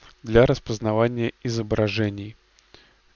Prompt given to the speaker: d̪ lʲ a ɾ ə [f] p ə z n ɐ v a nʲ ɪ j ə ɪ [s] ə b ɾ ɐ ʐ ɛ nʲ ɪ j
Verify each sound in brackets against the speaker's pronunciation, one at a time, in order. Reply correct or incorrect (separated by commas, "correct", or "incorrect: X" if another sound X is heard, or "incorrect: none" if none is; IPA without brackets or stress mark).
incorrect: s, incorrect: z